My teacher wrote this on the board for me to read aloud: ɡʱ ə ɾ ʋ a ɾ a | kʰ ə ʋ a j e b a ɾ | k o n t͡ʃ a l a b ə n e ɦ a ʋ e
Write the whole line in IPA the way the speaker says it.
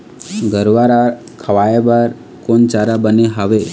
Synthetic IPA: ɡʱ ə ɾ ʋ a ɾ a | kʰ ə ʋ a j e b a ɾ | k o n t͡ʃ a ɾ a b ə n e ɦ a ʋ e